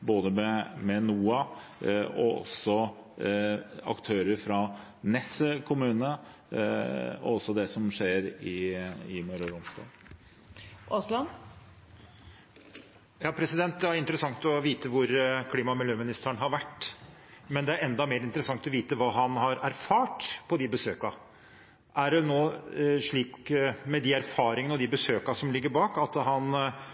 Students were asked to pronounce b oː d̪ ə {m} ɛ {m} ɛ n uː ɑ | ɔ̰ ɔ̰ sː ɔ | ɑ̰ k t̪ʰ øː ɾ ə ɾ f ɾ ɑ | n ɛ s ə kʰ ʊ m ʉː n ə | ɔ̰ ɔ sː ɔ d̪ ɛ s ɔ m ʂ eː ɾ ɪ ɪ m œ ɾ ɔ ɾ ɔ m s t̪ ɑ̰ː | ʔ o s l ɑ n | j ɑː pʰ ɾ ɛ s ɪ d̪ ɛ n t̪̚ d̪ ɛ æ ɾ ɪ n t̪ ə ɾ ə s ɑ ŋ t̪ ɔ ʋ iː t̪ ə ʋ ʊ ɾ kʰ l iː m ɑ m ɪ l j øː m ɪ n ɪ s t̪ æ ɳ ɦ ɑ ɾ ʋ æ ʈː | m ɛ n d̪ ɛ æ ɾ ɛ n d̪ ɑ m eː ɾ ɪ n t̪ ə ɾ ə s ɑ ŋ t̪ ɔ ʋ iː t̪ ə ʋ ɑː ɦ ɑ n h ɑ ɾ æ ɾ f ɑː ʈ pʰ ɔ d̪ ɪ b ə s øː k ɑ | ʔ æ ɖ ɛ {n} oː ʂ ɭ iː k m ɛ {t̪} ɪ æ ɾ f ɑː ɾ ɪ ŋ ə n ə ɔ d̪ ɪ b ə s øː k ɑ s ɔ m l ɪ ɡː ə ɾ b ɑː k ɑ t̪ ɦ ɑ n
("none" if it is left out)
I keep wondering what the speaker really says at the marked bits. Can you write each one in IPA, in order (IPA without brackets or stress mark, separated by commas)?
m, m, n, d̪